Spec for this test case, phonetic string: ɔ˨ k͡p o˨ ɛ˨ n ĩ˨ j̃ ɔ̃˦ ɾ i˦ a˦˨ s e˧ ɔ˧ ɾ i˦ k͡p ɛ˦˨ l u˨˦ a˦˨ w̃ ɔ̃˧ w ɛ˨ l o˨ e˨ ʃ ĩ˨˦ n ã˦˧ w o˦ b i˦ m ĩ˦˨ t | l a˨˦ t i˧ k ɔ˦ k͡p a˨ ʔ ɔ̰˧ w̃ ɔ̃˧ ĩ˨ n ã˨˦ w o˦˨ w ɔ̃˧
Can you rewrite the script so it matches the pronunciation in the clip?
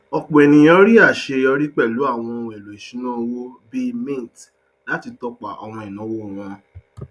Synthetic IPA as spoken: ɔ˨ k͡p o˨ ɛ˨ n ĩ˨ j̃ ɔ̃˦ ɾ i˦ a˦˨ ʃ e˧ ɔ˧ ɾ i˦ k͡p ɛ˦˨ l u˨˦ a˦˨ w̃ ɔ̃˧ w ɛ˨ l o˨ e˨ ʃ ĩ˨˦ n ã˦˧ w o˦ b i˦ m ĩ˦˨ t | l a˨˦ t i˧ t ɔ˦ k͡p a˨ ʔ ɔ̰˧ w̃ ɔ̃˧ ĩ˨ n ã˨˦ w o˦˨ w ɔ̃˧